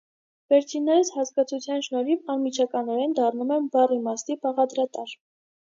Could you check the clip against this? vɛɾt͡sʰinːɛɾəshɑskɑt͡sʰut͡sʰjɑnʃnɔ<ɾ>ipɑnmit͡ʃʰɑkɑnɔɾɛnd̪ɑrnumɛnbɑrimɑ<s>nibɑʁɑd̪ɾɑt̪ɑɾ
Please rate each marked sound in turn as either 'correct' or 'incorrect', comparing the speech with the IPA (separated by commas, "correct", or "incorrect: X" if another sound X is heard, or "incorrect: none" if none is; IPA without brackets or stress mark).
correct, correct